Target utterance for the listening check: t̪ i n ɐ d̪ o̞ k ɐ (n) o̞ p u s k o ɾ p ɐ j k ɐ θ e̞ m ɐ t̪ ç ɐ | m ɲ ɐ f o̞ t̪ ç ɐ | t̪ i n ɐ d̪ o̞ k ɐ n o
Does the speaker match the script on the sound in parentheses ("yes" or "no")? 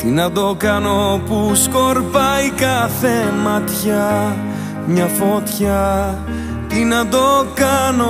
yes